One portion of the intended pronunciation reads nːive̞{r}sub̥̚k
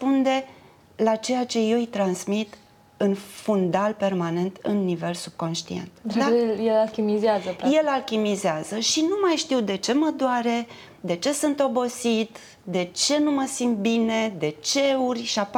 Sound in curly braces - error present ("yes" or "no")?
yes